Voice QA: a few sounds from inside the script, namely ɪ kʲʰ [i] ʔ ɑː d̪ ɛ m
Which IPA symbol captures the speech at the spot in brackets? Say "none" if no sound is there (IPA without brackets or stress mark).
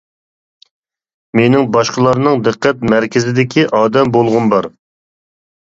i